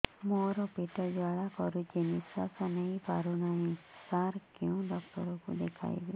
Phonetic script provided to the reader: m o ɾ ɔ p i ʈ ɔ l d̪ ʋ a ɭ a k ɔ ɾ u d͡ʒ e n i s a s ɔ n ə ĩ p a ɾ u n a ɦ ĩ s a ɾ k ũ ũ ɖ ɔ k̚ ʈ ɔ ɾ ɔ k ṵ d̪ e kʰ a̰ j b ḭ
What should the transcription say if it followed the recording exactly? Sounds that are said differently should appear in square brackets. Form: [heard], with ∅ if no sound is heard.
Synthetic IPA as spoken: m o ɾ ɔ p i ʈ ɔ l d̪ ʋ a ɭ a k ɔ ɾ u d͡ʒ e n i s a s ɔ n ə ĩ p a ɾ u n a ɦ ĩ s a ɾ k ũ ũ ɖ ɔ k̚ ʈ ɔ ɾ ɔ k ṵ d̪ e kʰ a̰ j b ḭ